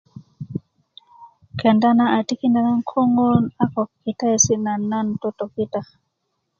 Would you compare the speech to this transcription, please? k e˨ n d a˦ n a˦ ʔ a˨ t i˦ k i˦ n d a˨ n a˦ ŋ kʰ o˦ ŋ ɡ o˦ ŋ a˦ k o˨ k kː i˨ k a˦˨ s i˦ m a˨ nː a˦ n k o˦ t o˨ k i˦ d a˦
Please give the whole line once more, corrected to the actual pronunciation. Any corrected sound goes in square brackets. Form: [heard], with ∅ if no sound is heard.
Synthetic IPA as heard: k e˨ n d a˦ n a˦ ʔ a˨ t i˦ k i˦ n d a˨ n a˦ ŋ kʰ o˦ ŋ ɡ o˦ [n] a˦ k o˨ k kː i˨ [t] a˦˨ s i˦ [n] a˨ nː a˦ n [t] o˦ t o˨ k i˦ [t] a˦